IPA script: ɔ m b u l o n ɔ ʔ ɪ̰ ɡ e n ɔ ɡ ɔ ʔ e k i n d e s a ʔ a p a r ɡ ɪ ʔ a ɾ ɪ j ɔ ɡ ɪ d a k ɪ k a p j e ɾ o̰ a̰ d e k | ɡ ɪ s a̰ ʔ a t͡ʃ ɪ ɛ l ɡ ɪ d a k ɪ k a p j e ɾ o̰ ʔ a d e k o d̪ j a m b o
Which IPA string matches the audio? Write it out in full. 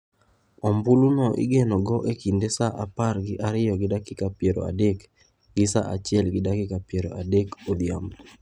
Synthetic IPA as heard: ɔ m b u l u n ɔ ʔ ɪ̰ ɡ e n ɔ ɡ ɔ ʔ e k i n d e s a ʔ a p a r ɡ ɪ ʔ a ɾ ɪ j ɔ ɡ ɪ d a k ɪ k a p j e ɾ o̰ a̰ d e k | ɡ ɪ s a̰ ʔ a t͡ʃ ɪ ɛ l ɡ ɪ d a k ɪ k a p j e ɾ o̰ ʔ a d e k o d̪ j a m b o